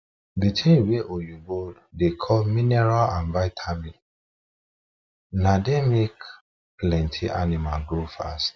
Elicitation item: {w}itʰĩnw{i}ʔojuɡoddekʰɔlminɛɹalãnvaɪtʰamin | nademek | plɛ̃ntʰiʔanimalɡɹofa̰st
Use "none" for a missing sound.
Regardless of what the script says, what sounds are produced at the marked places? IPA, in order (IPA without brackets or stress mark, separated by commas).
b, e